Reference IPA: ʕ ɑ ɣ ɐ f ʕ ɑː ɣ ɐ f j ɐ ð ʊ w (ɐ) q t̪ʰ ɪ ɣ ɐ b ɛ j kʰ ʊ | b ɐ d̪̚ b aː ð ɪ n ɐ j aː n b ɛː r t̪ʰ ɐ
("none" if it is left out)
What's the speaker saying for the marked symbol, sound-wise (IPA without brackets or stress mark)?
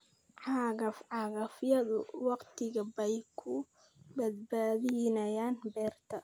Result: ɑ